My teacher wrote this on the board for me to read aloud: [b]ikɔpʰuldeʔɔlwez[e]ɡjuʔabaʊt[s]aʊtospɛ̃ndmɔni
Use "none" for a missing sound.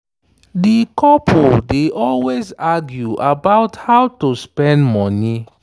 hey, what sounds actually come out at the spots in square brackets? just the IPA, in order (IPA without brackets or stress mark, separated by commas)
d, a, h